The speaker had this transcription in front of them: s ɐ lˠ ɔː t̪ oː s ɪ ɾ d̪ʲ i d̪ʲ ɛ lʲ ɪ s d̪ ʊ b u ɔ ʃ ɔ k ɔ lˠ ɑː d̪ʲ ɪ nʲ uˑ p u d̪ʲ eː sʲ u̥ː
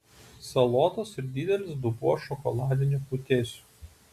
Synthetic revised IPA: s ɐ lˠ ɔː t̪ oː s ɪ ɾ d̪ʲ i d̪ʲ ɛ lʲ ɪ s d̪ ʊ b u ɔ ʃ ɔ k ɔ lˠ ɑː d̪ʲ ɪ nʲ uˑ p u t̪ʲ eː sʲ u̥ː